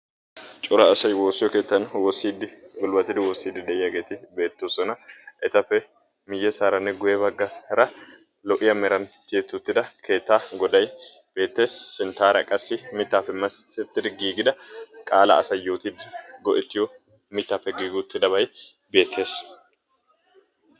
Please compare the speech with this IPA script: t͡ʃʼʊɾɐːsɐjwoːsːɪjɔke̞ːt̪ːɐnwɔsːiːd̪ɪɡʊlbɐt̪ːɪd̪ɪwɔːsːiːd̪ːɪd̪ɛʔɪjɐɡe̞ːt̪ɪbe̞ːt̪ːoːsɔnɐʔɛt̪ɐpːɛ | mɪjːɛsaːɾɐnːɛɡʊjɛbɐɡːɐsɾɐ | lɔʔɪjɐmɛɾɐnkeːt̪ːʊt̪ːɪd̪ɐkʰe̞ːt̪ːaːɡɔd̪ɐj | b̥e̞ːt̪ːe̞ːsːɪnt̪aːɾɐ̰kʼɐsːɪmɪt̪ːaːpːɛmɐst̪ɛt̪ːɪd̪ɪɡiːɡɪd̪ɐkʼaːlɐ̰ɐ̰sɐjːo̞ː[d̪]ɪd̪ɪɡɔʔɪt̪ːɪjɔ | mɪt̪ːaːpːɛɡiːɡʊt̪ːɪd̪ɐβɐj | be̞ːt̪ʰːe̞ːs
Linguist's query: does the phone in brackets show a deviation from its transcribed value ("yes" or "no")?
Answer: yes